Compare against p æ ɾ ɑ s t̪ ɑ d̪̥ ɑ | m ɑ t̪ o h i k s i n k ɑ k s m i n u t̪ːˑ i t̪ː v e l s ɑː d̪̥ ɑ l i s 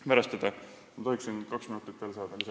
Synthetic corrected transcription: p æ ɾ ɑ s t̪ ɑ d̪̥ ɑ | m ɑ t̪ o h i k s i n k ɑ k s m i n u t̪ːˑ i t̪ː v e l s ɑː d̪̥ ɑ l i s